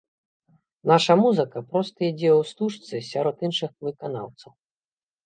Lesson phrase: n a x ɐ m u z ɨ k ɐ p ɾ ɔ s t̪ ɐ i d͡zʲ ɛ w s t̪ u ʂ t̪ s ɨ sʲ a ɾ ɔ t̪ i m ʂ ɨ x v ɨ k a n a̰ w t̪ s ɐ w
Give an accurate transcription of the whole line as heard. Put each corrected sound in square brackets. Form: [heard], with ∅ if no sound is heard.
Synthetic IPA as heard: n a [ʂ] ɐ m u z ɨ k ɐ p ɾ ɔ s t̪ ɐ i d͡zʲ ɛ w s t̪ u ʂ t̪ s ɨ sʲ a ɾ ɔ t̪ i [n] ʂ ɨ x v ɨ k a n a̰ w t̪ s ɐ w